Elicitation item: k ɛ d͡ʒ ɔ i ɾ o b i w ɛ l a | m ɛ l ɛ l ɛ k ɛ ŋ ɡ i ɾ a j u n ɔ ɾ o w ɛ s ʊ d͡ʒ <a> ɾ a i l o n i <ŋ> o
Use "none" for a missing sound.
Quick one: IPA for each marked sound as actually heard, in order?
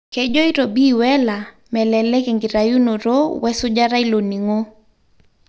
a, ŋ

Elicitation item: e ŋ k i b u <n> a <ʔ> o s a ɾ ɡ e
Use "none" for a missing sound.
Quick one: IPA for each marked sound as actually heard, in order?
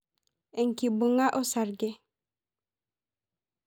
ŋ, ʔ

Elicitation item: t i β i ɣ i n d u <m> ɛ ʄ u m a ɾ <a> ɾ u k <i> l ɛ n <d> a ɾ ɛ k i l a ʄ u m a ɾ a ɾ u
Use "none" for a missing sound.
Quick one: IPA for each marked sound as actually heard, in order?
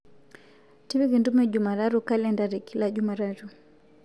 m, a, a, d

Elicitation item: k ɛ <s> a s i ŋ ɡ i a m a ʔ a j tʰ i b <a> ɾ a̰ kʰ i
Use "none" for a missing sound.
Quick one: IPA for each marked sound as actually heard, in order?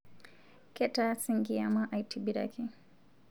t, i

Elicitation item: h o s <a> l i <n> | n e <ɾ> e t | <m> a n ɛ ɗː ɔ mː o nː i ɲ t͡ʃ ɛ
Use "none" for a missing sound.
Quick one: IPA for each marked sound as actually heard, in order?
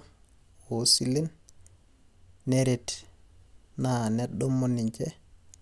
i, n, ɾ, n

